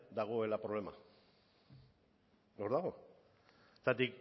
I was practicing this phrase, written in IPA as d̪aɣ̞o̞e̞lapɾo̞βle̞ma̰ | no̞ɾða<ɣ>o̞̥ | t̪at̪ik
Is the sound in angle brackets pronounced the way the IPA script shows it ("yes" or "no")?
yes